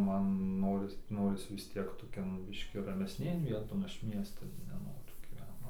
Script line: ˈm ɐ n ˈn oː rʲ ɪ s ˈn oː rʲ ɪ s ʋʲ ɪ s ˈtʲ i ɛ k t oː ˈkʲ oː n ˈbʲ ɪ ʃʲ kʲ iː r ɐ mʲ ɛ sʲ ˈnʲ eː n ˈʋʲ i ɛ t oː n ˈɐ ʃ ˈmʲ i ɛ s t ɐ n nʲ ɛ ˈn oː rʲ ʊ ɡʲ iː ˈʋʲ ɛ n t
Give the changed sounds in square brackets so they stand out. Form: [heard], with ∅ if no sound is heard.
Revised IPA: ˈm ɐ n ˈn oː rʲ ɪ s ˈn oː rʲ ɪ s ʋʲ ɪ s ˈtʲ i ɛ k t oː ˈkʲ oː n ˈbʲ ɪ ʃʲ kʲ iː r ɐ mʲ ɛ sʲ ˈnʲ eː n ˈʋʲ i ɛ t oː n ˈɐ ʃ ˈmʲ i ɛ s t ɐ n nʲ ɛ ˈn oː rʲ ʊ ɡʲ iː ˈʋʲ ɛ n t